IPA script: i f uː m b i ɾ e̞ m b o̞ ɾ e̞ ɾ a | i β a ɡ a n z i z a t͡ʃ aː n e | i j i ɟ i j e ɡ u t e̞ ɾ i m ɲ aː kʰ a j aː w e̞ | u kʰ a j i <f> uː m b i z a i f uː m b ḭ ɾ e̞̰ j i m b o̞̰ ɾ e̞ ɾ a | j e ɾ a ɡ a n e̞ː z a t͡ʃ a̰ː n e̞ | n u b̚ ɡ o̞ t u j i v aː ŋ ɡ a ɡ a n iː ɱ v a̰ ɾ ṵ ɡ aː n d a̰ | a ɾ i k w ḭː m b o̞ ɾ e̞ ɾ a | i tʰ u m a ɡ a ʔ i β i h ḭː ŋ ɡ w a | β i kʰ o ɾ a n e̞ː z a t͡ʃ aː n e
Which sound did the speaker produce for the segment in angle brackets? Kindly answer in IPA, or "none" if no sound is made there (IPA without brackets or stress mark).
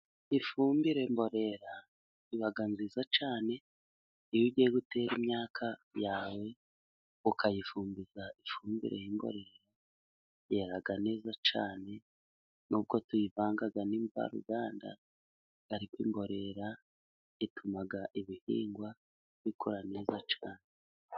f